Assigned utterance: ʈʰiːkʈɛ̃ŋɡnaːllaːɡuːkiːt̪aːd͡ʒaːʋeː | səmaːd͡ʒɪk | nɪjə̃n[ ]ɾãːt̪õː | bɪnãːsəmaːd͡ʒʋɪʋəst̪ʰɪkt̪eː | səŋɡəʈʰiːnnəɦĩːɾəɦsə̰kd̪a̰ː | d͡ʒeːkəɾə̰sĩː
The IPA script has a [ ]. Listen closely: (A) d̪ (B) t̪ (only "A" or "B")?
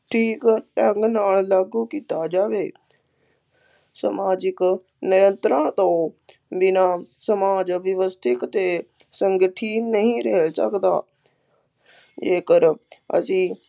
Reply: B